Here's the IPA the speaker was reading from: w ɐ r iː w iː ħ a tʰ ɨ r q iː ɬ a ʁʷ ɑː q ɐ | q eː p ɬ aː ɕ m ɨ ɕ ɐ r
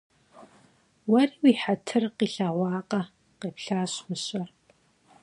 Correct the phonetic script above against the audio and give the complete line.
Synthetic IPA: w ɐ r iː w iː ħ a tʰ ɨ r q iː ɬ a ʁʷ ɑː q ɐ | q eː p ɬ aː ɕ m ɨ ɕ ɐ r